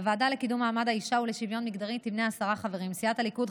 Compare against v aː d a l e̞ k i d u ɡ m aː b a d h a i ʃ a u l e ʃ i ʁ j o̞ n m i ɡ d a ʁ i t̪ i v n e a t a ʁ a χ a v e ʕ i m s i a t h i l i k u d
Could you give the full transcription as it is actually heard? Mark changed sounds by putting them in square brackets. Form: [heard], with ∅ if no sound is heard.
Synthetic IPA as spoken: v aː d a l e̞ k i d u [∅] m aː [m] a d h a i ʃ a u l e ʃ i [v] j o̞ n m i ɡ d a ʁ i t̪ i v n e a [s] a ʁ a χ a v e [ʁ] i m s i a t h [a] l i k u d